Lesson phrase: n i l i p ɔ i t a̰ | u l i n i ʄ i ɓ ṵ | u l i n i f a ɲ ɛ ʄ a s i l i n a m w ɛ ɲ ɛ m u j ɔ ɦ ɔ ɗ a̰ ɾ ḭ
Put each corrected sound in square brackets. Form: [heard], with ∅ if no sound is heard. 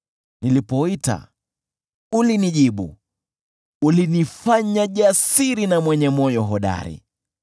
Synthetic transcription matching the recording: n i l i p ɔ i t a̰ | u l i n i ʄ i ɓ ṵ | u l i n i f a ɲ [a] ʄ a s i [ɾ] i n a m w ɛ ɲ ɛ m [ɔ] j ɔ ɦ ɔ ɗ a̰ ɾ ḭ